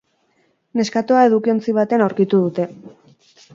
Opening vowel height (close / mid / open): mid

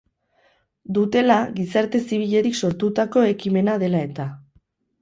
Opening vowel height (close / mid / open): close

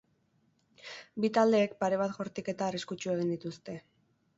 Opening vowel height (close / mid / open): close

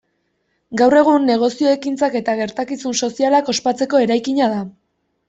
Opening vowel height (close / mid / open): open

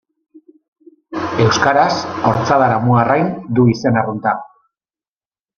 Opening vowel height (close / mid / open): mid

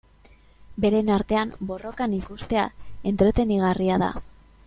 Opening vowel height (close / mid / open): mid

